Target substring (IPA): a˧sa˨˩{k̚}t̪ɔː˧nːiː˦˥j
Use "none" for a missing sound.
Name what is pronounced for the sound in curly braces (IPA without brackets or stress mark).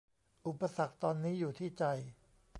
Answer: k̚